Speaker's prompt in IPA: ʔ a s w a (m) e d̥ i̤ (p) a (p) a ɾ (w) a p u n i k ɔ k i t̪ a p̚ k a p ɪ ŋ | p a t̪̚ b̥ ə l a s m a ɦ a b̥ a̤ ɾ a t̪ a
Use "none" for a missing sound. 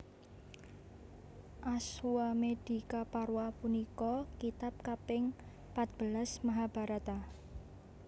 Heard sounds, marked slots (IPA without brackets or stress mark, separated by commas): m, k, p, w